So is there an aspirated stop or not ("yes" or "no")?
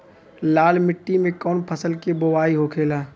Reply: yes